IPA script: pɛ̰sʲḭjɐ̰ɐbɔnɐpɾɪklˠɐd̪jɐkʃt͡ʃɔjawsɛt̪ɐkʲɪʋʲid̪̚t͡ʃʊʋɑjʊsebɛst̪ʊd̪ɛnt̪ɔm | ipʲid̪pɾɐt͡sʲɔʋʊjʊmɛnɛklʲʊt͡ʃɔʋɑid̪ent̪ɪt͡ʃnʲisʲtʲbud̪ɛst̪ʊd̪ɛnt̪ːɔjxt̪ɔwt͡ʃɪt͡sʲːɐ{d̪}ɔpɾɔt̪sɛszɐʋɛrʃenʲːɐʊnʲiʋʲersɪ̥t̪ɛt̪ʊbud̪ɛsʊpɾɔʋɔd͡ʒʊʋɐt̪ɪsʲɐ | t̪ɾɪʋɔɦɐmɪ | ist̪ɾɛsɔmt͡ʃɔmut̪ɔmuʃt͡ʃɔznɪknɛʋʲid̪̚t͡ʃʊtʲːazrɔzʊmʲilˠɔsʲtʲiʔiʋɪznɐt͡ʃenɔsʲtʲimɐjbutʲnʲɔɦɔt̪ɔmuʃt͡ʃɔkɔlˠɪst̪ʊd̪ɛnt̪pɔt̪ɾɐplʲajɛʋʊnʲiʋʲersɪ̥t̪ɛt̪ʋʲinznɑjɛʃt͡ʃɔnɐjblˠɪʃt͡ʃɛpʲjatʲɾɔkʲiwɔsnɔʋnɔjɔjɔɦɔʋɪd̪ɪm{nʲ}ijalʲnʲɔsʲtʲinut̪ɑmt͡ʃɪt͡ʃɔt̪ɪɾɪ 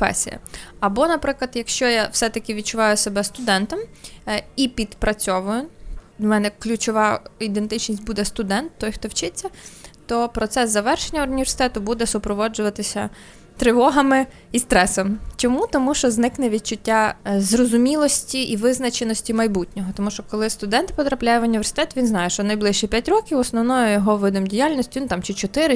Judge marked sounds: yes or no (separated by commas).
no, no